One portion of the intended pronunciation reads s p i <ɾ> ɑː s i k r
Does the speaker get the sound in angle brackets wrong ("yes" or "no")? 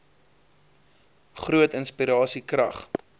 no